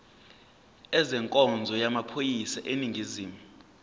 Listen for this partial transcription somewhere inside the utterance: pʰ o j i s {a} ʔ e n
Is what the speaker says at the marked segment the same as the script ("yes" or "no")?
yes